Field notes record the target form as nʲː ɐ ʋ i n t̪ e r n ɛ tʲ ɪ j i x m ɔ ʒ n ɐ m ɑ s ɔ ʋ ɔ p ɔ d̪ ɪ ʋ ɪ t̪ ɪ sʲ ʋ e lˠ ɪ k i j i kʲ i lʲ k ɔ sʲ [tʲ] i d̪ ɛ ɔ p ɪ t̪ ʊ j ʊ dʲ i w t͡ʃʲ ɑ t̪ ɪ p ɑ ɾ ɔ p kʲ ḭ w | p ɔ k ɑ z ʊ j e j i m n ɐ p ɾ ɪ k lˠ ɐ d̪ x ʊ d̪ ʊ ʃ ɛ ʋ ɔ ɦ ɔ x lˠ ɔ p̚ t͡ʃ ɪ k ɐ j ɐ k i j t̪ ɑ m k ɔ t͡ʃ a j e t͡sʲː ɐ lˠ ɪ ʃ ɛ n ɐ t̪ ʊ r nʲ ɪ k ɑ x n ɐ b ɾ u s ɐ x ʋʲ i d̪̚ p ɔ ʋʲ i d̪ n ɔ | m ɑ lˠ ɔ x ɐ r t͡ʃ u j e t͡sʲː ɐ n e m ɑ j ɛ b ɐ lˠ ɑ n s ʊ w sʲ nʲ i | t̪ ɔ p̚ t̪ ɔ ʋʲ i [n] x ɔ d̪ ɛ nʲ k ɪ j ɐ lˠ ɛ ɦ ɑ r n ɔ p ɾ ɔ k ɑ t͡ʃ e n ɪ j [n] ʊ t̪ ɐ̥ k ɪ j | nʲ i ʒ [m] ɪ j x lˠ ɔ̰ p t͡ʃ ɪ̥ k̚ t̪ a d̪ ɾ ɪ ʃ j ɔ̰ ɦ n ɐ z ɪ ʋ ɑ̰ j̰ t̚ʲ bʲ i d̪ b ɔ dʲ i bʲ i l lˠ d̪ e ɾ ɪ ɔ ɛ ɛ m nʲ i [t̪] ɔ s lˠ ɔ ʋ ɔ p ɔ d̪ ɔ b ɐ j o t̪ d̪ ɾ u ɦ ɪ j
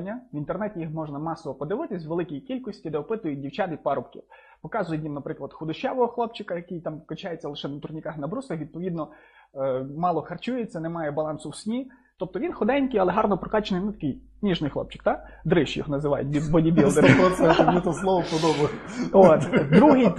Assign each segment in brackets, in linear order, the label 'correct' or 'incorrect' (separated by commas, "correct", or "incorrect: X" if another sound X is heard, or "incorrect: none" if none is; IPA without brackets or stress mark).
correct, correct, correct, incorrect: n, correct